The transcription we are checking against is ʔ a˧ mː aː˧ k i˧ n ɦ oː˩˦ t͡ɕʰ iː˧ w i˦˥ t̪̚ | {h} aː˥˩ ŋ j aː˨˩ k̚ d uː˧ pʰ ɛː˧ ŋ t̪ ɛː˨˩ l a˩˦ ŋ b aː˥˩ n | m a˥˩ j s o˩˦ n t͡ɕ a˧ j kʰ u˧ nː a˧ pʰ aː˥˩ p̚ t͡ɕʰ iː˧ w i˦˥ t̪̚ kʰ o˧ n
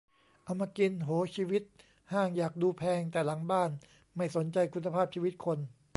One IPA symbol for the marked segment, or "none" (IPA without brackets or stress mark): h